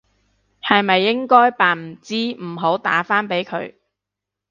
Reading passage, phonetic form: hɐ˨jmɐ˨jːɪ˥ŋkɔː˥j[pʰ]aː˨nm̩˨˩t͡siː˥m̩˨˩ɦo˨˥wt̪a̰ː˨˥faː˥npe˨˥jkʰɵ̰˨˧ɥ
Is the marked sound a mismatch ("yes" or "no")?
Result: yes